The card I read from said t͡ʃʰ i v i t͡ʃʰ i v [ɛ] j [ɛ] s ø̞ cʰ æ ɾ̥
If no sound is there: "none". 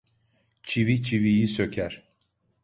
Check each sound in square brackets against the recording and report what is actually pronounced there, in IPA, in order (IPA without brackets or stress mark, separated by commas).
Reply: i, i